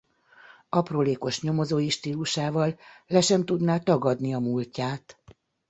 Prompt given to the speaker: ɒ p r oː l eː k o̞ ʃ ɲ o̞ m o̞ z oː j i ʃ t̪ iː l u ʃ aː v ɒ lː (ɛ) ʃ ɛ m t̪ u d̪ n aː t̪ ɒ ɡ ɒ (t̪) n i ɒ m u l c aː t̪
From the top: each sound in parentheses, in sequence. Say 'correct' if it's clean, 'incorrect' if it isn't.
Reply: correct, incorrect: d̪

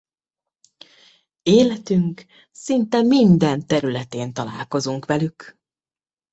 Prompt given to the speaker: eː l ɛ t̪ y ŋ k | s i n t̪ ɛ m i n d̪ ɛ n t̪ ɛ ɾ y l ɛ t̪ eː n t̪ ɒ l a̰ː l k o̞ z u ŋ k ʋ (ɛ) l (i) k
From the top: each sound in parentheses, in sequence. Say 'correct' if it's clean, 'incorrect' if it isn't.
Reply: correct, incorrect: y

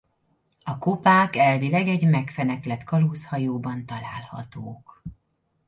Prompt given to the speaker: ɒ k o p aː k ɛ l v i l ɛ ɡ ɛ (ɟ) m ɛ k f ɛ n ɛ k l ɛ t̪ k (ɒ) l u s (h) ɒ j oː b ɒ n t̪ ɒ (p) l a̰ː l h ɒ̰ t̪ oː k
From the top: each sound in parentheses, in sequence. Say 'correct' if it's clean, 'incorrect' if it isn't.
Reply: correct, correct, correct, incorrect: none

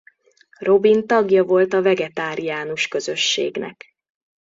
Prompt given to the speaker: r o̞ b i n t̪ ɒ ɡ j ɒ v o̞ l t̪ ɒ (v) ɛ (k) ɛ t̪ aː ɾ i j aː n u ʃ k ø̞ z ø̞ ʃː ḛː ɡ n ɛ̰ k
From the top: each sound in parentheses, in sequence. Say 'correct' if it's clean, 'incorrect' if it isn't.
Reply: correct, incorrect: ɡ

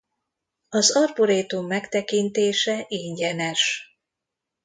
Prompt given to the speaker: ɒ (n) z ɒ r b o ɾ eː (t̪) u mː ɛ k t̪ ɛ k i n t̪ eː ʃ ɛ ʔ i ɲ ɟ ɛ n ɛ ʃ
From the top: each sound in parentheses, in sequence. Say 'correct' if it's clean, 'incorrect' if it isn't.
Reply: incorrect: none, correct

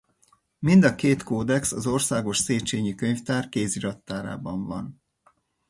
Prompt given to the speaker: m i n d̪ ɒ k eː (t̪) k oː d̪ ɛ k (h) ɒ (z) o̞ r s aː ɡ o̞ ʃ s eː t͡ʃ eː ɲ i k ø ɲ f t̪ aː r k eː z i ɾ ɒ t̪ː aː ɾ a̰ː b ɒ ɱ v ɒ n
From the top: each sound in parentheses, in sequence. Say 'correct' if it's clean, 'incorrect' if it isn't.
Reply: correct, incorrect: s, correct

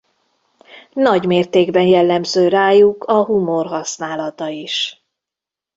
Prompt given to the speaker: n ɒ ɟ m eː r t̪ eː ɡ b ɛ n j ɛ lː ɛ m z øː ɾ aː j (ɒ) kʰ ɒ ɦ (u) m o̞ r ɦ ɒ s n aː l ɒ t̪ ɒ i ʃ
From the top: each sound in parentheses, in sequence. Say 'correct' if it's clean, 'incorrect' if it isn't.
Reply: incorrect: u, correct

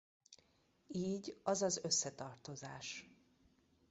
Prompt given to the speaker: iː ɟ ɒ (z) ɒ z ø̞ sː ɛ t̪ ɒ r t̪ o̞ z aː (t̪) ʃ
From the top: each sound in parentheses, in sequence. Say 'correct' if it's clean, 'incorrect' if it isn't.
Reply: correct, incorrect: none

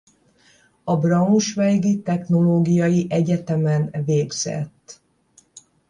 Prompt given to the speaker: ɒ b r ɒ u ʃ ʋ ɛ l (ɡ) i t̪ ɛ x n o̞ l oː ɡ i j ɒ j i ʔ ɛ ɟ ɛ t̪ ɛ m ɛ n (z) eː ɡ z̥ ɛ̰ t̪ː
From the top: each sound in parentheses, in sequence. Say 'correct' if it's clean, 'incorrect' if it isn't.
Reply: correct, incorrect: v

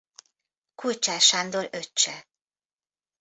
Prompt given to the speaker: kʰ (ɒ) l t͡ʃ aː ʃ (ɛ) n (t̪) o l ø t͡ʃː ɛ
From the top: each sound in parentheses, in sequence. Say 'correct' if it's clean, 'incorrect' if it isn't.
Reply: incorrect: u, incorrect: a, incorrect: d̪

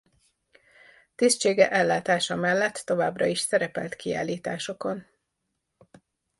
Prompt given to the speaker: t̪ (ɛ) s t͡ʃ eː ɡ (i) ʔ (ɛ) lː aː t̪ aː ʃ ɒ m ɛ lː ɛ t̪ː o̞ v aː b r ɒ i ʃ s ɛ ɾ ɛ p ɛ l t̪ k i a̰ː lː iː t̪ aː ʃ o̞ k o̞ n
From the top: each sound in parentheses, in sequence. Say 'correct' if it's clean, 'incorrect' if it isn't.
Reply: incorrect: i, incorrect: ɛ, correct

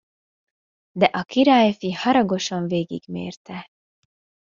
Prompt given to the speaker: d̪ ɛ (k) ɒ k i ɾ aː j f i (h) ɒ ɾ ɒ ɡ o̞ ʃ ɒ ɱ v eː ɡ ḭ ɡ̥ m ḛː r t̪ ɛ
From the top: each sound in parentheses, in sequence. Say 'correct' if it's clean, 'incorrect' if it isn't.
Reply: incorrect: ʔ, correct

